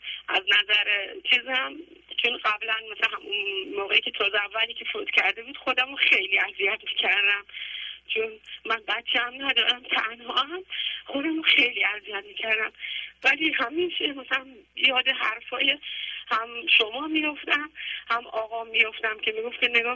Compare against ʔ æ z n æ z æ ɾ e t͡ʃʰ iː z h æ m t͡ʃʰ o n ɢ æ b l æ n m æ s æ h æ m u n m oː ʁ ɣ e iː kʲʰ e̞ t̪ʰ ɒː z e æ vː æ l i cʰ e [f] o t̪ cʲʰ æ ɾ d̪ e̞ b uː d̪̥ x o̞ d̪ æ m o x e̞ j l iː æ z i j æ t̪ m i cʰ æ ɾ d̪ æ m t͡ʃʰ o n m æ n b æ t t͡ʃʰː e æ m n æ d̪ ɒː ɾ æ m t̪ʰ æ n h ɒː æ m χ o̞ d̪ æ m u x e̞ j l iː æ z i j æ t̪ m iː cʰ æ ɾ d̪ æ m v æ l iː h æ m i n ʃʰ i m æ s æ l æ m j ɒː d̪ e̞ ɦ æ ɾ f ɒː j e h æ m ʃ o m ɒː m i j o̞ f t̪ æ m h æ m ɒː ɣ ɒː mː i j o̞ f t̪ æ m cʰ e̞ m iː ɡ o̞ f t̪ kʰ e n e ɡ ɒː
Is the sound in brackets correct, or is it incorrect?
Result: correct